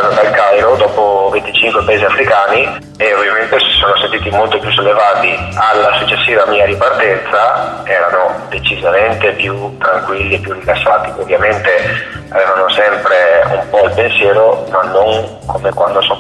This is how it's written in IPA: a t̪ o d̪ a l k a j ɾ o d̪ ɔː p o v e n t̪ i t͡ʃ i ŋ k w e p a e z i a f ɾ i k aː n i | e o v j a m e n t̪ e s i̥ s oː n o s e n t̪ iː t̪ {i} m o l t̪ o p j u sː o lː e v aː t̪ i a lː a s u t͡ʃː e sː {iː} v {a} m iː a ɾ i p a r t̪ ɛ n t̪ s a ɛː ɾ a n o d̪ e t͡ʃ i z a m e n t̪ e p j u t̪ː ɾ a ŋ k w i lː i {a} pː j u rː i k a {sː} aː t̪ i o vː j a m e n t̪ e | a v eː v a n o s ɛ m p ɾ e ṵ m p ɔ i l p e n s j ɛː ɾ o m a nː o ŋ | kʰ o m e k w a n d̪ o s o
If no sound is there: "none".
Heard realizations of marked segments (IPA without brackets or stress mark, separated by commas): i, iː, a, e, sː